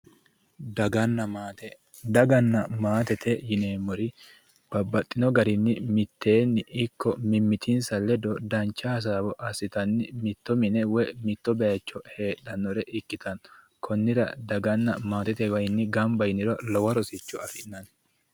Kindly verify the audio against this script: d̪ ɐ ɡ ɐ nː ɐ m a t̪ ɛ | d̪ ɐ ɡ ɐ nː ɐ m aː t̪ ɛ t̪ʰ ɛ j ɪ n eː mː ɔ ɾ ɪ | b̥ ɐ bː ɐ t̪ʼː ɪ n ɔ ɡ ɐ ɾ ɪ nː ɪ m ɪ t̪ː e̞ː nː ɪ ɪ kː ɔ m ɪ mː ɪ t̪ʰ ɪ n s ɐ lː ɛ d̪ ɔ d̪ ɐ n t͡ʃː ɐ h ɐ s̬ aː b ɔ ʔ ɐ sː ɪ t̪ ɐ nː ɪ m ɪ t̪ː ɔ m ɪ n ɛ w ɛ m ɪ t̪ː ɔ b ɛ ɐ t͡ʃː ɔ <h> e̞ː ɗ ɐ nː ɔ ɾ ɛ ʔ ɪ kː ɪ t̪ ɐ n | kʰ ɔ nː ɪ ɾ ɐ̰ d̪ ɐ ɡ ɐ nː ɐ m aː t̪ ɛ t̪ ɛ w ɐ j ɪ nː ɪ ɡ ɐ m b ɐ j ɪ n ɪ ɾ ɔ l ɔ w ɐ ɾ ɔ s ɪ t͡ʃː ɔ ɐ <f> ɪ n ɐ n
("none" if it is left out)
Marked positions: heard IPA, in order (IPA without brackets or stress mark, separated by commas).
h, f